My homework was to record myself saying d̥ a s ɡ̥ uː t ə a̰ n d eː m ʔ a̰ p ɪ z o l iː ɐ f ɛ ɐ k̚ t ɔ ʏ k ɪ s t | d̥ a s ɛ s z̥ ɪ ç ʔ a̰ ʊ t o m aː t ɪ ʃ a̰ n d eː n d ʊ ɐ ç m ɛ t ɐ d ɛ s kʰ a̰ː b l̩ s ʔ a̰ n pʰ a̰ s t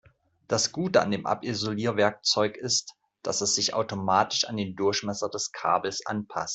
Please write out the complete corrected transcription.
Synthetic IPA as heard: d̥ a s ɡ̥ uː t ə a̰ n d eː m ʔ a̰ p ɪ z o l iː ɐ v ɛ ɐ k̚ t͡s ɔ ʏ k ɪ s t | d̥ a s ɛ s z̥ ɪ ç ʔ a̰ ʊ t o m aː t ɪ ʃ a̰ n d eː n d ʊ ɐ ç m ɛ s ɐ d ɛ s kʰ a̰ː b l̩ s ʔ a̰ n pʰ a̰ s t